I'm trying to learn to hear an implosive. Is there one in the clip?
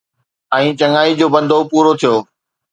no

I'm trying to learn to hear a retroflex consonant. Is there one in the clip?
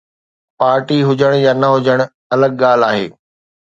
yes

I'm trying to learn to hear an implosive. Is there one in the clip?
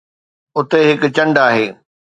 no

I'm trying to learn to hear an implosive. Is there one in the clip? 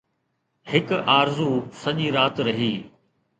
yes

